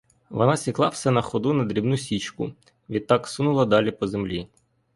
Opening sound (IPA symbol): ʋ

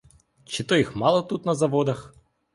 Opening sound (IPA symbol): t͡ʃ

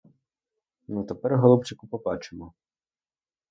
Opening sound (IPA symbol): n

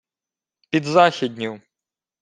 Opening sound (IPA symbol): pʲ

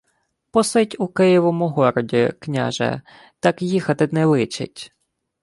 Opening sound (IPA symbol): p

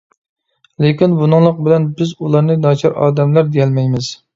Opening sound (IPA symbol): l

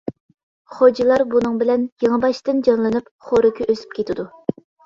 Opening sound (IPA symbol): χ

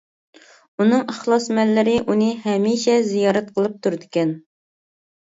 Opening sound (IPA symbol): u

